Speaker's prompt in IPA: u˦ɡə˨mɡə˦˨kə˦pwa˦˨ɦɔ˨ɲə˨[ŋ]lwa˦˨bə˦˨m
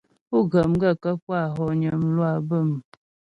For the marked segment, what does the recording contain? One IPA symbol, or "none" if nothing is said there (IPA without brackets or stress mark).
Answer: m